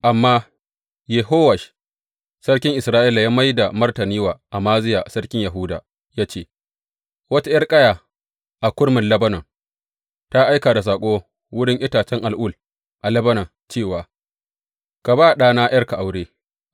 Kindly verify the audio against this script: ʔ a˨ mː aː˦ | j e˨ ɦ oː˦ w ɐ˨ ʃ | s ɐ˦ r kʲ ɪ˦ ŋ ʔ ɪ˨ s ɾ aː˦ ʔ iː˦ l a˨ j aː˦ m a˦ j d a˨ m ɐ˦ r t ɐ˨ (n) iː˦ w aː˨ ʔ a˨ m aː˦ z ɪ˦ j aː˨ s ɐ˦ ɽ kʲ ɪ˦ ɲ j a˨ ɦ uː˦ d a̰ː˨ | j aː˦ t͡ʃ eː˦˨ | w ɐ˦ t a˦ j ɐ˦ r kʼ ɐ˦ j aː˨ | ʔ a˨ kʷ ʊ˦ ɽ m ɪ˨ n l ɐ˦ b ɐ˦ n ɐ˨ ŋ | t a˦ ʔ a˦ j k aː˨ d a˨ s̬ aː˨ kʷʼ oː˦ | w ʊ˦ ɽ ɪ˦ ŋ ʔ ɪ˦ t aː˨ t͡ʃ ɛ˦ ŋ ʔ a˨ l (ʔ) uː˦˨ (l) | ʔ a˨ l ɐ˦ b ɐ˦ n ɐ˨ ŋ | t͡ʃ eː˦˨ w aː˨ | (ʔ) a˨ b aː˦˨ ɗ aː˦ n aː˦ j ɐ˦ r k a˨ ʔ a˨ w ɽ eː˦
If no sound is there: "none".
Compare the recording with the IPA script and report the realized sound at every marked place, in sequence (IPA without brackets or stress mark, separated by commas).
n, ʔ, l, k